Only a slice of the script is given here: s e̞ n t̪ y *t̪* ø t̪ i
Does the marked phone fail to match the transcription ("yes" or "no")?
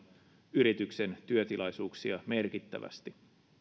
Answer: yes